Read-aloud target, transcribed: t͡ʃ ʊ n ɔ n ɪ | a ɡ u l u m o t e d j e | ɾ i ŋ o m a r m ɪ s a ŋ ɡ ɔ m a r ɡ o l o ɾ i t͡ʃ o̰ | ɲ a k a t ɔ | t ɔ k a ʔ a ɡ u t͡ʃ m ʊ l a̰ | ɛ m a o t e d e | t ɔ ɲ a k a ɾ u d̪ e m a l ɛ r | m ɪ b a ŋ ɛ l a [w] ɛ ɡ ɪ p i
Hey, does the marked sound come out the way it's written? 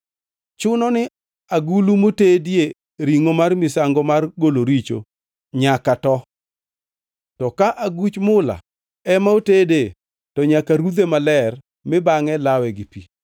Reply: yes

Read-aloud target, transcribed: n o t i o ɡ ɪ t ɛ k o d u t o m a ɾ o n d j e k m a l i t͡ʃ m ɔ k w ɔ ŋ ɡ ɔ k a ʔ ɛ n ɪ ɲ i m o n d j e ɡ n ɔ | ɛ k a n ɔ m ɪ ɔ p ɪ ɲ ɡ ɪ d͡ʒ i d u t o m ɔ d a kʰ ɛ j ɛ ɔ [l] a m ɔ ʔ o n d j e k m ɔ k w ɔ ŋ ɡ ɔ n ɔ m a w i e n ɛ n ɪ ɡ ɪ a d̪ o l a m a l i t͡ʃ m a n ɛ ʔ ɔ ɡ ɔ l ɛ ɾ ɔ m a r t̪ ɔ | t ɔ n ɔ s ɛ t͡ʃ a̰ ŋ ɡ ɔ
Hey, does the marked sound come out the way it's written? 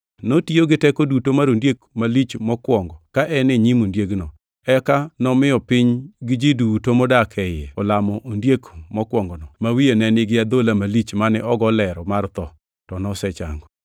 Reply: yes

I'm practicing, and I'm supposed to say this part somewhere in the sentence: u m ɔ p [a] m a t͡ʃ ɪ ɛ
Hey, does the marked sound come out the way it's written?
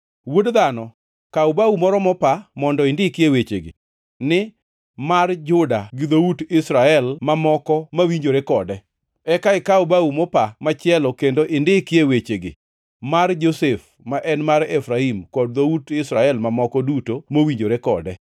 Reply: yes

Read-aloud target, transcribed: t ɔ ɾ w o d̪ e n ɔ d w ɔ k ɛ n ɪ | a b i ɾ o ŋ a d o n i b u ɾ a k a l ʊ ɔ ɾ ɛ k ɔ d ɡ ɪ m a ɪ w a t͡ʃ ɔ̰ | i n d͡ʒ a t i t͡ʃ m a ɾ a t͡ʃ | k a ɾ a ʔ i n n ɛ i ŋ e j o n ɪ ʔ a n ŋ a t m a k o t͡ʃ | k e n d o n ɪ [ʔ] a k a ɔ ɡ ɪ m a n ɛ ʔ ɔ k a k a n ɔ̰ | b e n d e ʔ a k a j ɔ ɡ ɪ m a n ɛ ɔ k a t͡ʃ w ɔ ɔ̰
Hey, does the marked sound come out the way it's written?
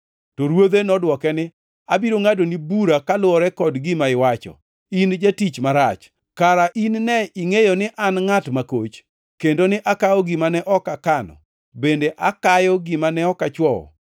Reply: yes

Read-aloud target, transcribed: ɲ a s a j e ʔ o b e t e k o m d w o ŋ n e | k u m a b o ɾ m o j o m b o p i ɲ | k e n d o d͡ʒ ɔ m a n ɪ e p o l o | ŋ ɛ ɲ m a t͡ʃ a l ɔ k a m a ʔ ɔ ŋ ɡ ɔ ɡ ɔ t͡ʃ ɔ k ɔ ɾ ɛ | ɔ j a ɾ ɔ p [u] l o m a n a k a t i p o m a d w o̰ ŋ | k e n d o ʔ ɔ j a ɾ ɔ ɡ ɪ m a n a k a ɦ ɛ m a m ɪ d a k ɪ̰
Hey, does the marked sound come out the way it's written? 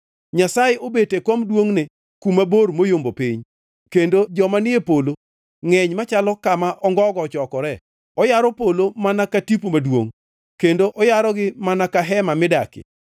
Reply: no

